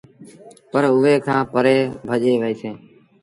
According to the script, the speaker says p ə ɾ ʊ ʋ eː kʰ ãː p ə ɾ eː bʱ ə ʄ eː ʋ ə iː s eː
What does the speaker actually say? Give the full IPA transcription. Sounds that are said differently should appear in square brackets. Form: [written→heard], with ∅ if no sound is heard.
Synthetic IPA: p ə ɾ ʊ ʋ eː kʰ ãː p ə ɾ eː bʱ ə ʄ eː ʋ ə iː s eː